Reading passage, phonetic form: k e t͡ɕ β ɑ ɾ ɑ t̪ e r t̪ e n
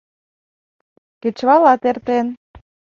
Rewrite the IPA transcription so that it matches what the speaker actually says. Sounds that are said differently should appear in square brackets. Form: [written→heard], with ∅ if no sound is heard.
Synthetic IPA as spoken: k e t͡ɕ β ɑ [ɾ→l] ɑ t̪ e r t̪ e n